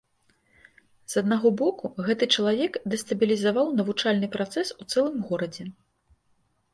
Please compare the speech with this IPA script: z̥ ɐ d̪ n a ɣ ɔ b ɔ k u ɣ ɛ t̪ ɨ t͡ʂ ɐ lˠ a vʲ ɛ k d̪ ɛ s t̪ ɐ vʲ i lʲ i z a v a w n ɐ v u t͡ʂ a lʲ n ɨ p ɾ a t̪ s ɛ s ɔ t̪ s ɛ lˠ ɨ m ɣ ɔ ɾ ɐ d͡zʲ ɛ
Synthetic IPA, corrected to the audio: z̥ ɐ d̪ n a ɣ ɔ b ɔ k u ɣ ɛ t̪ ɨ t͡ʂ ɐ lˠ a vʲ ɛ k d̪ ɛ s t̪ ɐ bʲ i lʲ i z a v a w n ɐ v u t͡ʂ a lʲ n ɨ p ɾ a t̪ s ɛ s u t̪ s ɛ lˠ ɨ m ɣ ɔ ɾ ɐ d͡zʲ ɛ